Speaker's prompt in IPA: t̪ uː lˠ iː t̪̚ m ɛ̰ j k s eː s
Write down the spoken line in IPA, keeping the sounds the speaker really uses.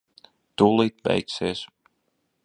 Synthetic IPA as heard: t̪ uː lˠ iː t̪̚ b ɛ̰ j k s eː s